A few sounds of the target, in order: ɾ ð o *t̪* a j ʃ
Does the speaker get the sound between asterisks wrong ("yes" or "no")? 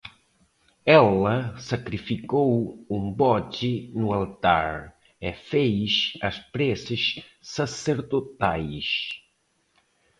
no